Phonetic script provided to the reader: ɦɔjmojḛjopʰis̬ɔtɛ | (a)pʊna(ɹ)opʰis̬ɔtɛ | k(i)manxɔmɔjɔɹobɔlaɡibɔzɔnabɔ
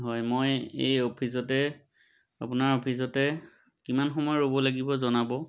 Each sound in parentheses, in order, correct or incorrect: correct, correct, correct

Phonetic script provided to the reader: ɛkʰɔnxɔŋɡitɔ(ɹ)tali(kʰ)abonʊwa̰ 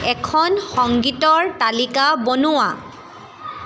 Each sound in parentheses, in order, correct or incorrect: correct, incorrect: k

